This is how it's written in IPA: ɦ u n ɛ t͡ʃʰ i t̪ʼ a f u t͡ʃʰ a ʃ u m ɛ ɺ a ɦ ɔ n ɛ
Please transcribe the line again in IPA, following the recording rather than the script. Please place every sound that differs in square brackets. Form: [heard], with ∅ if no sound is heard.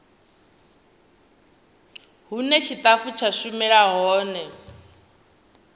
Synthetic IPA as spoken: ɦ u n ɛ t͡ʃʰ i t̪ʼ a f u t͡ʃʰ a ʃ u m ɛ ɺ a ɦ [ɔː] n ɛ